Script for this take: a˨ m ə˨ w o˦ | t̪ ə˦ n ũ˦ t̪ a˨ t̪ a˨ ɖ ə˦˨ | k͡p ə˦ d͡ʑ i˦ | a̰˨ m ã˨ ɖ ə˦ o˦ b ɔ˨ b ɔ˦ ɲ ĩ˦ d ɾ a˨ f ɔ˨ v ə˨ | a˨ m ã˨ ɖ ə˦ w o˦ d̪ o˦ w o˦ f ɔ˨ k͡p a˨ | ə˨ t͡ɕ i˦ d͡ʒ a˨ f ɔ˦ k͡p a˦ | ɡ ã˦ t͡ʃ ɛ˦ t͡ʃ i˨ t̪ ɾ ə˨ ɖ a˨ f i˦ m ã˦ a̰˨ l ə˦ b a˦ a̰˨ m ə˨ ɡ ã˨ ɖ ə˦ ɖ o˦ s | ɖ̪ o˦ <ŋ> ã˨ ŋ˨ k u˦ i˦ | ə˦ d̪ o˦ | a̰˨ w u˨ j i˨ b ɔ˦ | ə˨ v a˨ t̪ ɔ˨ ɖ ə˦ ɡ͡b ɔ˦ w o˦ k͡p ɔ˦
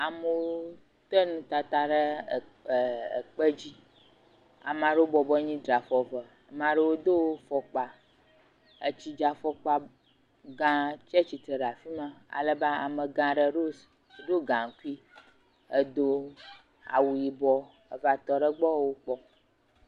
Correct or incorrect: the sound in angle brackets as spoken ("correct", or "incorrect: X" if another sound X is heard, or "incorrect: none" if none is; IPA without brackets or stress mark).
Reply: incorrect: ɡ